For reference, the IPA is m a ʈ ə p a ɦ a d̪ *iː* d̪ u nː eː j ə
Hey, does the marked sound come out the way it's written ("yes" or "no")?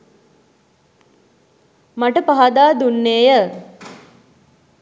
no